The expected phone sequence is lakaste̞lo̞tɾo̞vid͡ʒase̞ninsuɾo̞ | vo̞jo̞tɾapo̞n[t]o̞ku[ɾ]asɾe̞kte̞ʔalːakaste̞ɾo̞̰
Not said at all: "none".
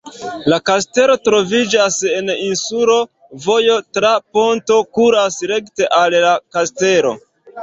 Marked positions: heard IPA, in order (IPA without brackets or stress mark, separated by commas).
t, ɾ